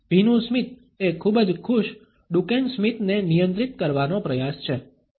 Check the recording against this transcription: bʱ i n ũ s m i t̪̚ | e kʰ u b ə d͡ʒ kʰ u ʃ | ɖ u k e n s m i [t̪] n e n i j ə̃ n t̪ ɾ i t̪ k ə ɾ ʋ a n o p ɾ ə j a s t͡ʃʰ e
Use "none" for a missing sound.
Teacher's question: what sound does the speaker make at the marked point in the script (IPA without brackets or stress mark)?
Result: t̪